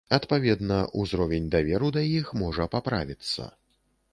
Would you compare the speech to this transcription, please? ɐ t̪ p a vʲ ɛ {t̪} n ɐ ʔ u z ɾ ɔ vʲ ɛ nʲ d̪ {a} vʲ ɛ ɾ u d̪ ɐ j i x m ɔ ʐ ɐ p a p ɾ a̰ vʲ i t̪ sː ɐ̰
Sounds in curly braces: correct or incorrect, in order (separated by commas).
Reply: incorrect, correct